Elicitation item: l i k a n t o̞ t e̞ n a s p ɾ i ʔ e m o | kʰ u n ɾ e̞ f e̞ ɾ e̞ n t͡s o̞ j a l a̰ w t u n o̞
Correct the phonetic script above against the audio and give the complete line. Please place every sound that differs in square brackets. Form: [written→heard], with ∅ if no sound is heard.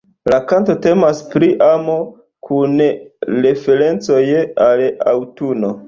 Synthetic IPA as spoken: l [i→a] k a n t o̞ t e̞ [n→m] a s p ɾ i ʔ [e→a] m o | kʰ u n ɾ e̞ f e̞ ɾ e̞ n t͡s o̞ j a l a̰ w t u n o̞